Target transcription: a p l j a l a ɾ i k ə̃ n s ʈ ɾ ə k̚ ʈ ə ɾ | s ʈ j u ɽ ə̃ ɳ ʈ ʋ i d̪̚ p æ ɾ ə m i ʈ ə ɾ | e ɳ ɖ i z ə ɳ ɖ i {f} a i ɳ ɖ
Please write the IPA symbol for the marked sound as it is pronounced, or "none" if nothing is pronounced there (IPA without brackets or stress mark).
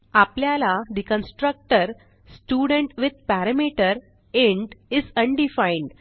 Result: f